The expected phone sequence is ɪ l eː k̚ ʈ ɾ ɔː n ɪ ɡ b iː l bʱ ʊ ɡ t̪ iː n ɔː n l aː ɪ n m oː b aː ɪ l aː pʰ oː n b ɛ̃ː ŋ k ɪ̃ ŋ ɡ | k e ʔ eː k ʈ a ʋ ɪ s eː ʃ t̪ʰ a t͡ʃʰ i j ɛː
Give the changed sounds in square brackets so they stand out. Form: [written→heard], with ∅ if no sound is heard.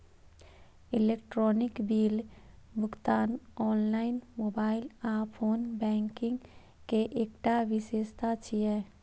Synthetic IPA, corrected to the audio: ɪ l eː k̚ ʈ ɾ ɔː n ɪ [ɡ→k] b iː l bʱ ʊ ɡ t̪ [iː→aː] n ɔː n l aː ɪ n m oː b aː ɪ l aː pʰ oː n b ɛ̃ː ŋ k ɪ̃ ŋ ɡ | k e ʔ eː k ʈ a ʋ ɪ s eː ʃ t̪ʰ a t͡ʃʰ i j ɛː